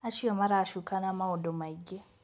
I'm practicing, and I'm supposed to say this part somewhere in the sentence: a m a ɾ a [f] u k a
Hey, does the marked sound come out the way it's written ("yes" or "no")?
no